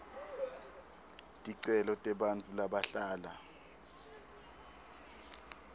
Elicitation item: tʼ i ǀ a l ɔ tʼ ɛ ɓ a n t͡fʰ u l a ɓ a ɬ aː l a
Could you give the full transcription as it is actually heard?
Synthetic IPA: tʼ i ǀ ɛ l ɔ tʼ ɛ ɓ a n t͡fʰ u l a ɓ a ɬ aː l a